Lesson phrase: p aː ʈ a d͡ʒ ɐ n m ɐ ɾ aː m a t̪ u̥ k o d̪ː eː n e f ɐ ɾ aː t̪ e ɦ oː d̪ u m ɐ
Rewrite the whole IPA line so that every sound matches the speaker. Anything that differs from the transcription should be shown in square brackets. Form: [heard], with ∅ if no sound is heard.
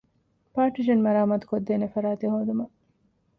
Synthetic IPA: p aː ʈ [i] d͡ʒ ɐ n m ɐ ɾ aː m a t̪ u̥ k o d̪ː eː n e f ɐ ɾ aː t̪ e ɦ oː d̪ u m ɐ